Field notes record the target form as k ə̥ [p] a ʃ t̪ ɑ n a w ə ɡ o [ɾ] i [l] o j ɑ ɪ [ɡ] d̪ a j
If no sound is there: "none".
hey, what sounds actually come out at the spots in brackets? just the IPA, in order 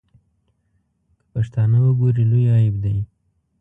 p, ɾ, l, b

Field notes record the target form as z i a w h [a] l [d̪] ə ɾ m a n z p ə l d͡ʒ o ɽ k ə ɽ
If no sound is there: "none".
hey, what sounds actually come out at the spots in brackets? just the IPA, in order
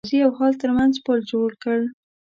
ɑ, t̪

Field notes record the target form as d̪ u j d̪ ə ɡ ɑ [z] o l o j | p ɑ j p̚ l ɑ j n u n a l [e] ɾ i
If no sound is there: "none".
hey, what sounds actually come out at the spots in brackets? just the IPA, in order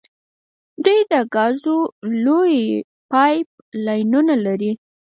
z, a

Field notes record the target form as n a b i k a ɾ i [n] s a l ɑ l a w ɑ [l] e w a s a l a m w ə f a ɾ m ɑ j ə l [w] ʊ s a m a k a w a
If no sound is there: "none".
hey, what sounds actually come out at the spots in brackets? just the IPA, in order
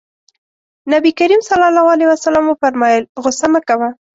m, l, ɣ

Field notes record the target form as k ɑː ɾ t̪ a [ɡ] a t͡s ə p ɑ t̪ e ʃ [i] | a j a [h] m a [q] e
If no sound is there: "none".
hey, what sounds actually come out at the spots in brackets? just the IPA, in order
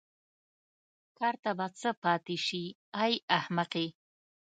b, i, h, q

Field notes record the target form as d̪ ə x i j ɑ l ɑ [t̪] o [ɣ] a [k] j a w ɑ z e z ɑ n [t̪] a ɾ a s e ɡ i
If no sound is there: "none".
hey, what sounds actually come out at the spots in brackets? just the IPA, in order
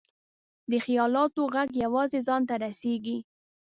t̪, ɣ, ɡ, t̪

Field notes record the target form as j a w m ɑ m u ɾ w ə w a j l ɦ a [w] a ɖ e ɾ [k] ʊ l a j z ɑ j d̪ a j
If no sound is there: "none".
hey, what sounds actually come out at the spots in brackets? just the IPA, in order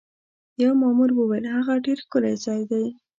ɣ, k

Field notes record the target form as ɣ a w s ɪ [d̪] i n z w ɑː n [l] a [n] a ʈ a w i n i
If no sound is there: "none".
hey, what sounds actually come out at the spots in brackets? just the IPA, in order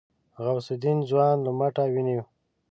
d̪, l, m

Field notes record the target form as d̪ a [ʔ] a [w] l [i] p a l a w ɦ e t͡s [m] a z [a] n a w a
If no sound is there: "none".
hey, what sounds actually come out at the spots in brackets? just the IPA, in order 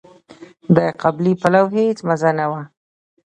q, b, i, m, a

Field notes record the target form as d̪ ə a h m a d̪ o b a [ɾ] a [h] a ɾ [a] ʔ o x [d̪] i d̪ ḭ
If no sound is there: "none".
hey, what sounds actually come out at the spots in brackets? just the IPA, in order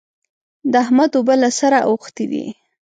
l, s, a, t̪

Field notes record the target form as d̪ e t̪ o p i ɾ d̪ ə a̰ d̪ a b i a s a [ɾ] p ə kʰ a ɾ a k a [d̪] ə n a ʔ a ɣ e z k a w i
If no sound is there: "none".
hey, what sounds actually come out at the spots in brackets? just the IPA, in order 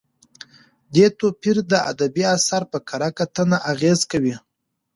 ɾ, t̪

